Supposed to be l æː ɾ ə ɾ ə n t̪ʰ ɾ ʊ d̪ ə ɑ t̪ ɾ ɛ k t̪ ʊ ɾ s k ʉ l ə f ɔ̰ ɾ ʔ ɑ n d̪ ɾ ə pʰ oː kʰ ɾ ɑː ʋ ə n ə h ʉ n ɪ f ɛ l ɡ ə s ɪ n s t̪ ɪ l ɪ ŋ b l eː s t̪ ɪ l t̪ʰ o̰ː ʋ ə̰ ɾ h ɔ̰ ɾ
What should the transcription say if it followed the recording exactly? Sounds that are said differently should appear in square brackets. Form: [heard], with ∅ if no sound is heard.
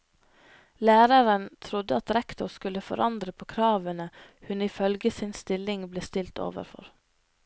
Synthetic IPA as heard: l æː ɾ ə ɾ ə n t̪ʰ ɾ ʊ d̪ ə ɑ t̪ ɾ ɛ k t̪ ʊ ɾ s k ʉ l ə f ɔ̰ ɾ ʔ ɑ n d̪ ɾ ə pʰ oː kʰ ɾ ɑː ʋ ə n ə h ʉ n ɪ f [œ] l ɡ ə s ɪ n s t̪ ɪ l ɪ ŋ b l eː s t̪ ɪ l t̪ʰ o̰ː ʋ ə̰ ɾ [f] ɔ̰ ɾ

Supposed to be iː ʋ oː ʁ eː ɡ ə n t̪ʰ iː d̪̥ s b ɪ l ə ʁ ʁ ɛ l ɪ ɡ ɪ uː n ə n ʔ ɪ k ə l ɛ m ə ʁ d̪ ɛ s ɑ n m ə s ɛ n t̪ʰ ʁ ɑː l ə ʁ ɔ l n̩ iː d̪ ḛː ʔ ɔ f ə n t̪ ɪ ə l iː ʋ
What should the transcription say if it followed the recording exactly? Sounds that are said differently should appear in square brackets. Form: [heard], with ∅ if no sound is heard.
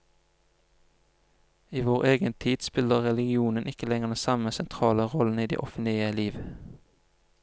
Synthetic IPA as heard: iː ʋ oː ʁ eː ɡ ə n t̪ʰ iː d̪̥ s [p] ɪ l ə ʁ ʁ ɛ l ɪ ɡ ɪ uː n ə n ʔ ɪ k ə l ɛ [ŋ] ə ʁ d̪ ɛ s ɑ [∅] m ə s ɛ n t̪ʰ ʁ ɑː l ə ʁ ɔ l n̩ iː d̪ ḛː ʔ ɔ f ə n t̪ ɪ ə l iː ʋ

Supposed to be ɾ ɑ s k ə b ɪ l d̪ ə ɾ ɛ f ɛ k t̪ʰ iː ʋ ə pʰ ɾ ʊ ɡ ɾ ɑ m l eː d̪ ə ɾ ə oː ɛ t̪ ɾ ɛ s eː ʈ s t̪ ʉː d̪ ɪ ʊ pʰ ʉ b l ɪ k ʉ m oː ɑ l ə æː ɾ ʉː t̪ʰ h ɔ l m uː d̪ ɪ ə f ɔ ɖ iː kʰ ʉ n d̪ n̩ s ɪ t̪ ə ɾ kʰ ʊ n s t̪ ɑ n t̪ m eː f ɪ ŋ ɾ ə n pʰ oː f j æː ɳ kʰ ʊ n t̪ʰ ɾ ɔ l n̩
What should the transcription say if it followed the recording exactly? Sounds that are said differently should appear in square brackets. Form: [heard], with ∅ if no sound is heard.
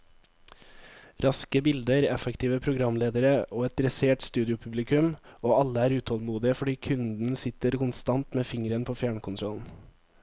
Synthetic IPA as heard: ɾ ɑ s k ə b ɪ l d̪ ə ɾ ɛ f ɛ k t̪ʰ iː ʋ ə pʰ ɾ ʊ ɡ ɾ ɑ m l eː d̪ ə ɾ ə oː ɛ t̪ ɾ ɛ s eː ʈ s t̪ ʉː d̪ ɪ ʊ pʰ ʉ b l ɪ k ʉ m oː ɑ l ə æː ɾ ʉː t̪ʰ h ɔ l m uː d̪ ɪ ə f ɔ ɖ iː kʰ ʉ n d̪ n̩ s ɪ t̪ ə ɾ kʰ ʊ n s t̪ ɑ n t̪ m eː f ɪ ŋ ɾ ə n pʰ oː f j æː ɳ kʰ ʊ n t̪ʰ ɾ ɔ l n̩

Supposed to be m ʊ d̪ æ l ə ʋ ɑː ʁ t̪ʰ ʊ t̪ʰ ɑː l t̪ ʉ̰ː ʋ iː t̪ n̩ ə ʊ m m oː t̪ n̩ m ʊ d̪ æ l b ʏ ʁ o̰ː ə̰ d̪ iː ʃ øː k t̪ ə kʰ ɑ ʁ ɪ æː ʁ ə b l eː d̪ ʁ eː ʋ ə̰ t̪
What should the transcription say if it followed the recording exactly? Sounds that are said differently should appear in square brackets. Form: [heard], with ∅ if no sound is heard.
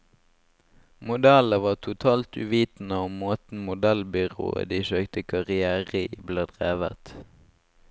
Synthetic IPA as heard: m ʊ d̪ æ l ə ʋ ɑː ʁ t̪ʰ ʊ t̪ʰ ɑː l t̪ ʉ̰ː ʋ iː t̪ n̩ ə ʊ m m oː t̪ n̩ m ʊ d̪ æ l b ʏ ʁ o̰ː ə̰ d̪ iː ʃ øː k t̪ ə kʰ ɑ ʁ ɪ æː ʁ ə b l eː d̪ ʁ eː ʋ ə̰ t̪

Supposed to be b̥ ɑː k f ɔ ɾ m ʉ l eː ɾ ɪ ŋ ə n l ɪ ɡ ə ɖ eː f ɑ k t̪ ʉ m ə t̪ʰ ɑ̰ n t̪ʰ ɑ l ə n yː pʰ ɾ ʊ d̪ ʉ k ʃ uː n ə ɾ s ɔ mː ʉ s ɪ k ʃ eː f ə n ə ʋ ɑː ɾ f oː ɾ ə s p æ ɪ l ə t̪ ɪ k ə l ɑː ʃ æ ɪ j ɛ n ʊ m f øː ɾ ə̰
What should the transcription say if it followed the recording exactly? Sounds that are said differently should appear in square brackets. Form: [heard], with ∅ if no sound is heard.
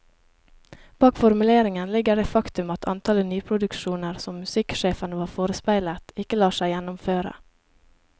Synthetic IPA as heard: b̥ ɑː k f ɔ ɾ m ʉ l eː ɾ ɪ ŋ ə n l ɪ ɡ ə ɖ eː f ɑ k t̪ ʉ m [ɑ] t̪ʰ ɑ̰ n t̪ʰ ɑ l ə n yː pʰ ɾ ʊ d̪ ʉ k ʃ uː n ə ɾ s ɔ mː ʉ s ɪ k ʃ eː f ə n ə ʋ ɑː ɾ f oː ɾ ə s p æ ɪ l ə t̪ ɪ k ə l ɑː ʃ æ ɪ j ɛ n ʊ m f øː ɾ ə̰

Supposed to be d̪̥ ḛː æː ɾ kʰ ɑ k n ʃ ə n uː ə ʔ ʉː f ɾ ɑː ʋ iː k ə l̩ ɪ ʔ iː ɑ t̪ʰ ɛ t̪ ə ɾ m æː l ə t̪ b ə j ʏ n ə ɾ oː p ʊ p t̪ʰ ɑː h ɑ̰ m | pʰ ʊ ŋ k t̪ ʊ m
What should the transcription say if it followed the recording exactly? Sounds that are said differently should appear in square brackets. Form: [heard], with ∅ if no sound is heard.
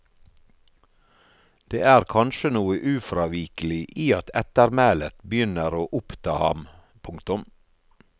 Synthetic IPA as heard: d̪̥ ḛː æː ɾ kʰ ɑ [∅] n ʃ ə n uː ə ʔ ʉː f ɾ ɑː ʋ iː k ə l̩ ɪ ʔ iː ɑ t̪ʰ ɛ t̪ ə ɾ m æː l ə t̪ b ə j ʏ n ə ɾ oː [ʔ] ʊ p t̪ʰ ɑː h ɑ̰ m | pʰ ʊ ŋ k t̪ ʊ m

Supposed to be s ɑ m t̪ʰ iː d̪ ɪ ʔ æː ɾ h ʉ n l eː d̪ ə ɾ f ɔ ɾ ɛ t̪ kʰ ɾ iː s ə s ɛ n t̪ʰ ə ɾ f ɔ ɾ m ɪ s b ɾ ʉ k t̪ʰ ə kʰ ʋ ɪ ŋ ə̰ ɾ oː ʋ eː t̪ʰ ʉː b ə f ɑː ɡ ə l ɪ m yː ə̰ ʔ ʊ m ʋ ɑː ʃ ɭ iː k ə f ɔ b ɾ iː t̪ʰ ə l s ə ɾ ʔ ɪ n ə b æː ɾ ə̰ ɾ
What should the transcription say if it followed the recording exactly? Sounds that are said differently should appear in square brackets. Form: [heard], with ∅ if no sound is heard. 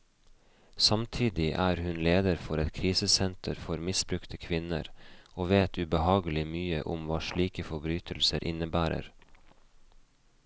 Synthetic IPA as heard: s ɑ m t̪ʰ iː d̪ ɪ ʔ æː ɾ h ʉ n l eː d̪ ə ɾ f ɔ ɾ ɛ t̪ kʰ ɾ iː s ə s ɛ n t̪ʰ ə ɾ f ɔ ɾ m ɪ s b ɾ ʉ k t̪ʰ ə kʰ ʋ ɪ [n] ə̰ ɾ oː ʋ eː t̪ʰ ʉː b ə [h] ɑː ɡ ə l ɪ m yː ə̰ ʔ ʊ m ʋ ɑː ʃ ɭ iː k ə f ɔ b ɾ [yː] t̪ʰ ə l s ə ɾ ʔ ɪ n ə b æː ɾ ə̰ ɾ

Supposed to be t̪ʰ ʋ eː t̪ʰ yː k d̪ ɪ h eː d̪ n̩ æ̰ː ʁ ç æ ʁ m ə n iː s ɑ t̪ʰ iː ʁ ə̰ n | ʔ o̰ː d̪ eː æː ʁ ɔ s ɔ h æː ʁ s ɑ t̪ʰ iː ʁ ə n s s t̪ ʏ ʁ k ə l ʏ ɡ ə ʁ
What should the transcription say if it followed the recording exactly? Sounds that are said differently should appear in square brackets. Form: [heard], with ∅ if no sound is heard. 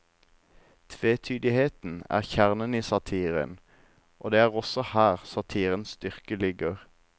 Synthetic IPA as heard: t̪ʰ ʋ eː t̪ʰ yː [∅] d̪ ɪ h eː [t̪] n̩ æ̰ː ʁ ç æ ʁ [n] ə n iː s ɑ t̪ʰ iː ʁ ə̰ n | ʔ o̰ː d̪ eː æː ʁ ɔ s ɔ h æː ʁ s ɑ t̪ʰ iː ʁ ə n s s t̪ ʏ ʁ k ə l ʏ ɡ ə ʁ

